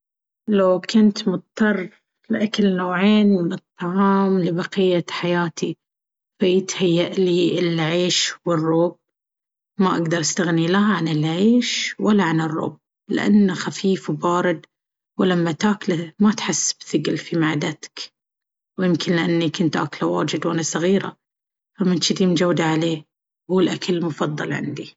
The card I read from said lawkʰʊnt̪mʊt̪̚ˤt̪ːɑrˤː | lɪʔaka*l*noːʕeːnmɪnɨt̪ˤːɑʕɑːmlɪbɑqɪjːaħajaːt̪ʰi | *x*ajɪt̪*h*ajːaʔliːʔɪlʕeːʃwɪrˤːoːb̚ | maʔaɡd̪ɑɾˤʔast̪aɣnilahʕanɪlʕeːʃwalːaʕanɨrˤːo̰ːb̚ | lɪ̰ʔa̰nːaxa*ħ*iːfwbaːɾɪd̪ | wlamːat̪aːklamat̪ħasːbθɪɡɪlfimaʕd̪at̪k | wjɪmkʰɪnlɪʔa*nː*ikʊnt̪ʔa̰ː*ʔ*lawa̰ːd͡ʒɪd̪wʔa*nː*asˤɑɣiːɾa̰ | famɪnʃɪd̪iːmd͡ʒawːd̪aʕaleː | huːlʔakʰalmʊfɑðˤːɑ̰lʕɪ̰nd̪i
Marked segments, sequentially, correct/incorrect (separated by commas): correct, incorrect, correct, incorrect, correct, incorrect, incorrect